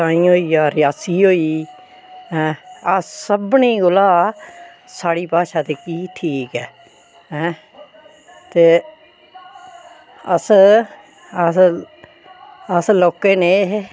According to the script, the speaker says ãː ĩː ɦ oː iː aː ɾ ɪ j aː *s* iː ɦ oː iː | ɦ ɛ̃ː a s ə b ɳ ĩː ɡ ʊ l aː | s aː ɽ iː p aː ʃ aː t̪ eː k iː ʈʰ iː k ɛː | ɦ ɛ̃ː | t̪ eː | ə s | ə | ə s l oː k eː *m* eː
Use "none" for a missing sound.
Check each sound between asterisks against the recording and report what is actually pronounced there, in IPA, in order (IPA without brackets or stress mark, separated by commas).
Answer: s, n